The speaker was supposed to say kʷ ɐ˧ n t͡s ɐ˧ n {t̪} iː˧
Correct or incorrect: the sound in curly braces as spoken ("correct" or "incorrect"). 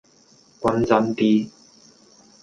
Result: correct